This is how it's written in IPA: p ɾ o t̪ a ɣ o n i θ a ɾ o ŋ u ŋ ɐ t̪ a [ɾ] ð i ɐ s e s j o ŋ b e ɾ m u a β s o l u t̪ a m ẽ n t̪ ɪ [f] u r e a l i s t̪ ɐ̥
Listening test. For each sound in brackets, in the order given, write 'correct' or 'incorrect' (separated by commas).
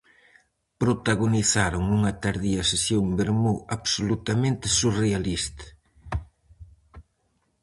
correct, incorrect